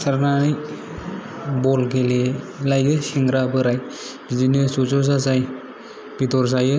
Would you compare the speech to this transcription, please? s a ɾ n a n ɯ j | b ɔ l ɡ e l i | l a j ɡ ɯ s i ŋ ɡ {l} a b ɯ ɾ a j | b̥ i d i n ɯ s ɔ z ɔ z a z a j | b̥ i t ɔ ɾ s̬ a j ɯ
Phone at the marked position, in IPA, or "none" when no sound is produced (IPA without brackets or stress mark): ɾ